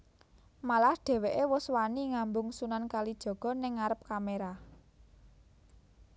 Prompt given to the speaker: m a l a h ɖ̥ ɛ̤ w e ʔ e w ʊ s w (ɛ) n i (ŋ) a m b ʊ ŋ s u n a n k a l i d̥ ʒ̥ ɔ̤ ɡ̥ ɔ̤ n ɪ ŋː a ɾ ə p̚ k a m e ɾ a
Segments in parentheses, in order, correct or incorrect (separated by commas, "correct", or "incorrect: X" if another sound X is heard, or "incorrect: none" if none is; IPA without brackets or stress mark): incorrect: a, correct